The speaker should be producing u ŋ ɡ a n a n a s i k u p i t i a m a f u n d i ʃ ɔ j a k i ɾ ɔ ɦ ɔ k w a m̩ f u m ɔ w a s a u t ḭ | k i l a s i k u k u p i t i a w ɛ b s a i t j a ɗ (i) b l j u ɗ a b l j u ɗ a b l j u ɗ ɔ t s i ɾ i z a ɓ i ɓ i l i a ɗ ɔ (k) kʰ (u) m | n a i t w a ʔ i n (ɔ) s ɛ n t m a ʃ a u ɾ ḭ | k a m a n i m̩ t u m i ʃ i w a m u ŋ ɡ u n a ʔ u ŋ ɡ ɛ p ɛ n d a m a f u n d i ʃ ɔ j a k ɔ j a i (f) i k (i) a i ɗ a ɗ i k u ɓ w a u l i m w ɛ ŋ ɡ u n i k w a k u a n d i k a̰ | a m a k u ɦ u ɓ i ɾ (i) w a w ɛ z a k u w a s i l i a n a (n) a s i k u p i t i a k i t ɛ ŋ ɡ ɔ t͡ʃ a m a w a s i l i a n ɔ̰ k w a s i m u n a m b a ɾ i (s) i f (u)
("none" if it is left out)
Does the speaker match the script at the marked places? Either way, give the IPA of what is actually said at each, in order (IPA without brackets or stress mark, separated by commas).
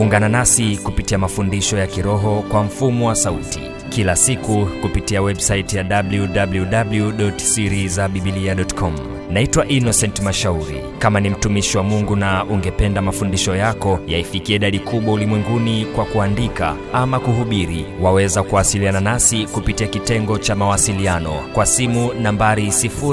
a, t, ɔ, ɔ, f, i, i, n, s, u